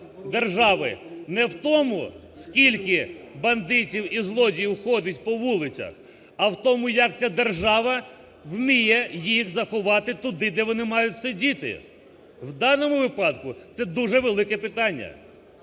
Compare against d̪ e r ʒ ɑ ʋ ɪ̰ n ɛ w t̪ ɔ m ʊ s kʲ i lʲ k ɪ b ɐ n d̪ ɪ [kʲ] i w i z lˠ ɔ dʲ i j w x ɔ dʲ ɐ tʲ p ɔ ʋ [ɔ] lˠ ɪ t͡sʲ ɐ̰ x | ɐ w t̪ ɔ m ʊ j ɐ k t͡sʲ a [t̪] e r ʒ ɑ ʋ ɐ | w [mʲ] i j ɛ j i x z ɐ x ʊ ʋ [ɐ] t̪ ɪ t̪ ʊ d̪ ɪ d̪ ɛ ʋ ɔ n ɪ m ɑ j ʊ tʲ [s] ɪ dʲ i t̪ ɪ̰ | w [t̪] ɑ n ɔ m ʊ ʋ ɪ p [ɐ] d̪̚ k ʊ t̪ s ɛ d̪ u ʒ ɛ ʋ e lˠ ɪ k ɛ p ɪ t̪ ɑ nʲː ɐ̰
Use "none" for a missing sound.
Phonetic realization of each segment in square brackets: tʲ, u, d̪, mʲ, ɑ, s, d̪, ɑ

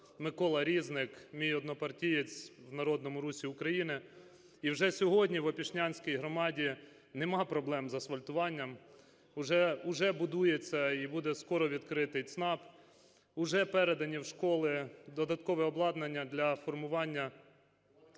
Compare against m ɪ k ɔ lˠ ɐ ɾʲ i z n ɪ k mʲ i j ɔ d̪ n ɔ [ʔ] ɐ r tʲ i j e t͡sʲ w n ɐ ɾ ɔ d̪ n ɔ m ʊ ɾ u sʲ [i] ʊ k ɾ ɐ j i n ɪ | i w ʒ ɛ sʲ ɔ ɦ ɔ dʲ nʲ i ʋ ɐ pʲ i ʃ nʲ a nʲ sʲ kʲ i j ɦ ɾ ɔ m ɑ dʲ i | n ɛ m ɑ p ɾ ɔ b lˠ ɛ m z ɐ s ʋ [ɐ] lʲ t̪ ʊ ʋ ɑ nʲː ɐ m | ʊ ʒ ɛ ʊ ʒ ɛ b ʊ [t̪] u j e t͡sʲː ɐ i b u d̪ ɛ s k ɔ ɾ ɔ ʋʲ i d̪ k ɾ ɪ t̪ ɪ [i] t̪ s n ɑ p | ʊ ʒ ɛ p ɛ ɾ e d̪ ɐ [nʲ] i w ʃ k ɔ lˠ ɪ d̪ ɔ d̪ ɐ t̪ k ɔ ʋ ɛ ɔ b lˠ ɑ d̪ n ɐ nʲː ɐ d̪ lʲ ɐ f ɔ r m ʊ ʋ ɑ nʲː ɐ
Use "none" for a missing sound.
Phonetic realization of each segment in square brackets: p, i, ɐ, d̪, j, nʲ

